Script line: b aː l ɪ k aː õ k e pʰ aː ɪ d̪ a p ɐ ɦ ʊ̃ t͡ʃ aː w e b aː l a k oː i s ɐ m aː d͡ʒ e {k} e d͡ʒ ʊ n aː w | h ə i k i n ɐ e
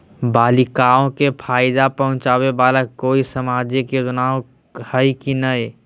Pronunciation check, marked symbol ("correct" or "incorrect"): correct